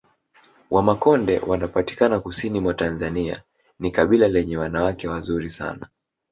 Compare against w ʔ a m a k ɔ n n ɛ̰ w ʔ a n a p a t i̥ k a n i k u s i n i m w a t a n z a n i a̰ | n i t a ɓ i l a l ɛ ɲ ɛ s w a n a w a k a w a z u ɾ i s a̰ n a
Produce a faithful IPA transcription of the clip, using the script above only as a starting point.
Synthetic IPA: w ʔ a m a k ɔ n d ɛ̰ w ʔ a n a p a t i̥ k a n a k u s i n i m w a t a n z a n i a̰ | n i k a ɓ i l a l ɛ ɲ ɛ w a n a w a k ɛ w a z u ɾ i s a̰ n a